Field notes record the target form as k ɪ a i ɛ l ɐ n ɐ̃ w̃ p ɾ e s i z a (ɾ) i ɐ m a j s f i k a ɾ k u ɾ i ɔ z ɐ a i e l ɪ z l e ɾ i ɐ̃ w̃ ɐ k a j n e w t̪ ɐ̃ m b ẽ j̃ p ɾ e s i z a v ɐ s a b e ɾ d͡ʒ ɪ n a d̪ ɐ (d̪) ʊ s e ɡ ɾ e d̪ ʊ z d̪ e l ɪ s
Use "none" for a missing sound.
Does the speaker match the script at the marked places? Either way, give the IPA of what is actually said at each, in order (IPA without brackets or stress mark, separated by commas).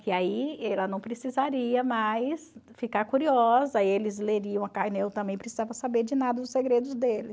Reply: ɾ, d̪